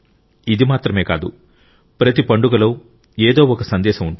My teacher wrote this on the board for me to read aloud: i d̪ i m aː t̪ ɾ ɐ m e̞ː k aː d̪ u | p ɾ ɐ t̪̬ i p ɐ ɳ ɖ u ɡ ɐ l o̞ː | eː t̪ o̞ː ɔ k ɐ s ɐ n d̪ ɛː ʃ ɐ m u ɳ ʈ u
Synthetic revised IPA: i d̪ i m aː t̪ ɾ ɐ m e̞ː k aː d̪ u | p ɾ ɐ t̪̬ i p ɐ ɳ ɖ u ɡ ɐ l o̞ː | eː d̪ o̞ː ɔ k ɐ s ɐ n d̪ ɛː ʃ ɐ m u ɳ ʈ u